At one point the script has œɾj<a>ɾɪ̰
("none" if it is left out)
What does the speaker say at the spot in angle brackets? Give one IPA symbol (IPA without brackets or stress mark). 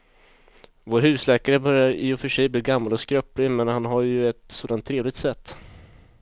a